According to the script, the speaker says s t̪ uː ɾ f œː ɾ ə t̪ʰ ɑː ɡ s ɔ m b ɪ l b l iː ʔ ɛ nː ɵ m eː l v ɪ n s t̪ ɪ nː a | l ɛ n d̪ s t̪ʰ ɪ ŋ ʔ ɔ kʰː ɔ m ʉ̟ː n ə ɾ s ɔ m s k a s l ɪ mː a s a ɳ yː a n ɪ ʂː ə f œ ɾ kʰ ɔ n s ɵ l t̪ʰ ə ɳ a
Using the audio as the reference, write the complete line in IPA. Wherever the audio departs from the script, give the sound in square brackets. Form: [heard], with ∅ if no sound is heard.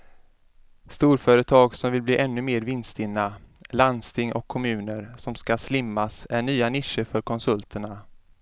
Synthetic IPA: s t̪ uː ɾ f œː ɾ ə t̪ʰ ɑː ɡ s ɔ m [v] ɪ l b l iː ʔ ɛ nː ɵ m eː [ɾ] v ɪ n s t̪ ɪ nː a | l [a] n d̪ s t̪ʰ ɪ ŋ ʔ ɔ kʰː ɔ m ʉ̟ː n ə ɾ s ɔ m s k a s l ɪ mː a s [æ] ɳ yː a n ɪ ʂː ə f œ ɾ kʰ ɔ n s ɵ l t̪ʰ ə ɳ a